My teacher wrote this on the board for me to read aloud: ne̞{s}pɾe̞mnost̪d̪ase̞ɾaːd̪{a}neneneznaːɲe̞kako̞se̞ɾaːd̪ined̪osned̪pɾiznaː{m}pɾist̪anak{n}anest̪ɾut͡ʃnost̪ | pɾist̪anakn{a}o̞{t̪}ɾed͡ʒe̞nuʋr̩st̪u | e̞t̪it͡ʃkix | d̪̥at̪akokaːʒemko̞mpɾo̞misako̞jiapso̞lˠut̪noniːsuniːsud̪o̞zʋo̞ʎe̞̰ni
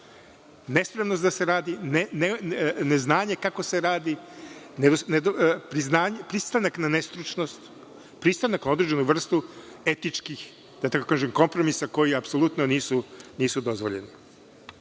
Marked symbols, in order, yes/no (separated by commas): yes, no, no, yes, yes, no